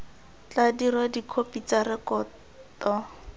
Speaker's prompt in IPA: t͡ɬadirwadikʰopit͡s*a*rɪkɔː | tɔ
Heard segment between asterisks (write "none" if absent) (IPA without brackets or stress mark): a